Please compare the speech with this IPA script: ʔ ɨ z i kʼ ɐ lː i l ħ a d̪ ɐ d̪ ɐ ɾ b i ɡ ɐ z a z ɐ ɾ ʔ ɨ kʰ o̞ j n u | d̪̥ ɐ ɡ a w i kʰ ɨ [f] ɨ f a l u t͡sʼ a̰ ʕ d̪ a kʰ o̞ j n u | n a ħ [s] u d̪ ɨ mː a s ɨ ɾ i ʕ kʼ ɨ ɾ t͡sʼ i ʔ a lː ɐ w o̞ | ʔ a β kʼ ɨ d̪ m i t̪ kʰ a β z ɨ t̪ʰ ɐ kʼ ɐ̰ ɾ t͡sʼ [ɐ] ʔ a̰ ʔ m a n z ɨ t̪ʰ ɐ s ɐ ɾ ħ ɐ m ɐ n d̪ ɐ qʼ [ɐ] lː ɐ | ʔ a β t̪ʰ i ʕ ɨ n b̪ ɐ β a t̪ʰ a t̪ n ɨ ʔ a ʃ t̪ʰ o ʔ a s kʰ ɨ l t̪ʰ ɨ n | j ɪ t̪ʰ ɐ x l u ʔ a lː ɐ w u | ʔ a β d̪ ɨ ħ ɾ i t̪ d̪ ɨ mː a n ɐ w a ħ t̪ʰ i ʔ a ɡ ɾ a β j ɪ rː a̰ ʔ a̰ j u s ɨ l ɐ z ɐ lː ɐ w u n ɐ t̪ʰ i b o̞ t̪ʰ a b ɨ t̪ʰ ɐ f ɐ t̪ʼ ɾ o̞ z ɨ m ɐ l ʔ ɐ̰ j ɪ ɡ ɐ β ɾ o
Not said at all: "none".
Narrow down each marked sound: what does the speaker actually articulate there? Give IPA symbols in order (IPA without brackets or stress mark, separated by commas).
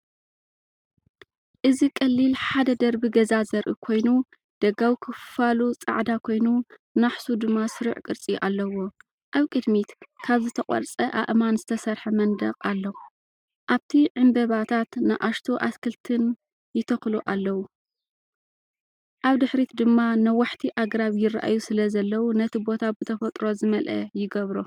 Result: f, s, ɐ, a